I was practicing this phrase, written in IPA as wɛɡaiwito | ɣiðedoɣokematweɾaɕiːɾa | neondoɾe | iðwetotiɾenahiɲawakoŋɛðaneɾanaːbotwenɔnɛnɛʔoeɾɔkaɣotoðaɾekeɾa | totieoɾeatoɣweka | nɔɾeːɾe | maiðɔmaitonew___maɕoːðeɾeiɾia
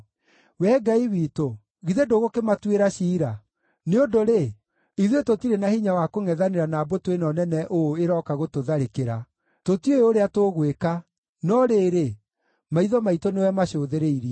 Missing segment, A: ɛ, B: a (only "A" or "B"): A